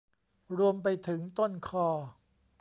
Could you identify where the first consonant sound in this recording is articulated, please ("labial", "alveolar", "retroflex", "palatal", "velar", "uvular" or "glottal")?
alveolar